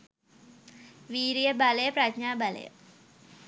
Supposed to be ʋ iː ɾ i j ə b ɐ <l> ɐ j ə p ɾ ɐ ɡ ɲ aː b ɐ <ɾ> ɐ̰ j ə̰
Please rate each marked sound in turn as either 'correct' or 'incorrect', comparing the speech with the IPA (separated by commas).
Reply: correct, incorrect